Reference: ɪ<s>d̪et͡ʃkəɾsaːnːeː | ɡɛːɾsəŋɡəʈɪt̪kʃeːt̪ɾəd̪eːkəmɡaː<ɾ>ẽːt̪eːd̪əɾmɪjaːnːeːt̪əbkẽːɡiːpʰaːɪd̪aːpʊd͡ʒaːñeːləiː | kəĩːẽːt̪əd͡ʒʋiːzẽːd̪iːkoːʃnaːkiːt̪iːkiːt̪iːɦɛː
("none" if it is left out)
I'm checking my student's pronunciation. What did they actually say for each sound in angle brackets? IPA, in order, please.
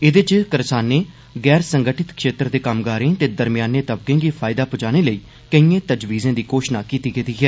none, ɾ

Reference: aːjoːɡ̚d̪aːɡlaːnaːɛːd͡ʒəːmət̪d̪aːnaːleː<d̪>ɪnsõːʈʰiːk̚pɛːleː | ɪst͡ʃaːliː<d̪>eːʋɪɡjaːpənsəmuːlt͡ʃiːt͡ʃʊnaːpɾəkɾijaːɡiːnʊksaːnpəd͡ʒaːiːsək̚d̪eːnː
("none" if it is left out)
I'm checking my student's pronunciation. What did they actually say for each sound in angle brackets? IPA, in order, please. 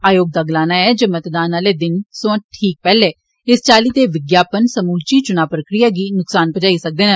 d̪, t̪

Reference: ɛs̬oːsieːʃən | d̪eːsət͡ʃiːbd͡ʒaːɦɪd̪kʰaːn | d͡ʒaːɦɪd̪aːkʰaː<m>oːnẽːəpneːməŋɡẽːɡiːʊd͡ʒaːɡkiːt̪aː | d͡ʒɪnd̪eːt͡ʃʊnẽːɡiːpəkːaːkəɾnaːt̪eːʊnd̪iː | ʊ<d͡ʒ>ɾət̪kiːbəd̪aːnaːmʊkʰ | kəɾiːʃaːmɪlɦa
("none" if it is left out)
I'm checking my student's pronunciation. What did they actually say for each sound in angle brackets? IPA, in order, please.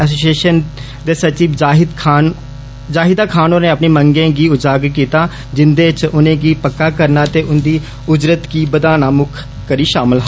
n, d͡ʒ

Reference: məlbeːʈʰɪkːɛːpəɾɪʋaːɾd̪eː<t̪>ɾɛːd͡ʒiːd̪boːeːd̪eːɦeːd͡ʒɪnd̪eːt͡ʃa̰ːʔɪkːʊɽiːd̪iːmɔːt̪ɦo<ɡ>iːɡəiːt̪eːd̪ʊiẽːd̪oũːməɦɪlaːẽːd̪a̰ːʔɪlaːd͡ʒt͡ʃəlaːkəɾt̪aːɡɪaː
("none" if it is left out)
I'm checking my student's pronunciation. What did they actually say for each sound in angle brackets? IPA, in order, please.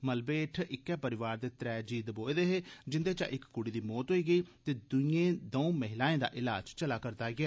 t̪, none

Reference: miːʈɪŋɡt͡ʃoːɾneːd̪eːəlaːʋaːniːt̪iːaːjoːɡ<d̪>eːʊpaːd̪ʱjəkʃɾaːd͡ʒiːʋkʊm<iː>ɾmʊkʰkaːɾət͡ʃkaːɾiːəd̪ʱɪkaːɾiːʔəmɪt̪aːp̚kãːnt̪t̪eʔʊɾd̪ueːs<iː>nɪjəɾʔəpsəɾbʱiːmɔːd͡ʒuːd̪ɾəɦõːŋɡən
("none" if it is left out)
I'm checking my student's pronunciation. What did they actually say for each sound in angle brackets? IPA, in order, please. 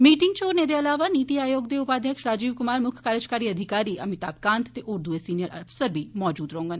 d̪, aː, iː

